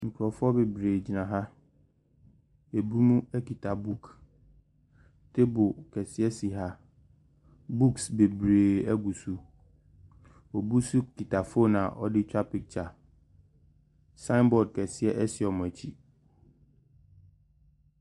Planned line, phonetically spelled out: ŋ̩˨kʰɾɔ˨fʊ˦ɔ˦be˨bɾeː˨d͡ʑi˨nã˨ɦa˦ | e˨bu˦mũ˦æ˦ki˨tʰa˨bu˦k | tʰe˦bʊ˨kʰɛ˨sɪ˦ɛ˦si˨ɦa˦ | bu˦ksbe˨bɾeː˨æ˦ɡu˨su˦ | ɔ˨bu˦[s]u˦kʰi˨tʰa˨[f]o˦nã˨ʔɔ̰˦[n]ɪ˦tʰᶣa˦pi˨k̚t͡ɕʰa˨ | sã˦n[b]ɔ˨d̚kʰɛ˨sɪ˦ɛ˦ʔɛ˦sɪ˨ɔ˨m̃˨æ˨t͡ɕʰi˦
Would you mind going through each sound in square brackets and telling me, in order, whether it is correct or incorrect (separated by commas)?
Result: correct, correct, incorrect, correct